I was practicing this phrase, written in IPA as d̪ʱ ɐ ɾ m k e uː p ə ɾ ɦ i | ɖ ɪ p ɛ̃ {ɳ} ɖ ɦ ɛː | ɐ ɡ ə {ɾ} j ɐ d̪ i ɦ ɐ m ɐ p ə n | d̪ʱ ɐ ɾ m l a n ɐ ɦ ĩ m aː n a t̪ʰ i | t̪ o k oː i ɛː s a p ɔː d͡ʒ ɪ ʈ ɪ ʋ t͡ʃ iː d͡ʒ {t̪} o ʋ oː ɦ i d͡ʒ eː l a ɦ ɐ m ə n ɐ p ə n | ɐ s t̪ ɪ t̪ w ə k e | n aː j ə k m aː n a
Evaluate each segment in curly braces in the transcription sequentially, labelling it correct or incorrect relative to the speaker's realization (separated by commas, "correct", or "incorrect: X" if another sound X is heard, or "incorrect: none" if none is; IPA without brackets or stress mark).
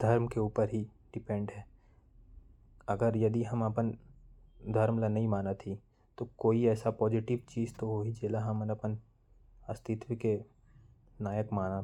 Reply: correct, correct, correct